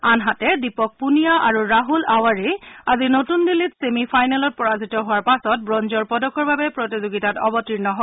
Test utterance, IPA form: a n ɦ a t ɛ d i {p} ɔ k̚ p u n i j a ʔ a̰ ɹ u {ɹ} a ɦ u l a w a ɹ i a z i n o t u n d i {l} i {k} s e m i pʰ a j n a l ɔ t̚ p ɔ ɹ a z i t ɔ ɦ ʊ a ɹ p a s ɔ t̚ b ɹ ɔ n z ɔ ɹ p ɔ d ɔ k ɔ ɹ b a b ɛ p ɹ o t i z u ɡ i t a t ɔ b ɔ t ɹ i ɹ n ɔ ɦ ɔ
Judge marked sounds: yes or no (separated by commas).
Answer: yes, yes, yes, no